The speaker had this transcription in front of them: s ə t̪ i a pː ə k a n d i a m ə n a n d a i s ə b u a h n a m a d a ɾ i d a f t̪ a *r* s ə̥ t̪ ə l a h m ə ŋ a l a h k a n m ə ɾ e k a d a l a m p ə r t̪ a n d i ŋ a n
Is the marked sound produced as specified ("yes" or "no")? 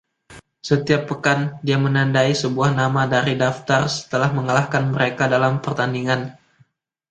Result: yes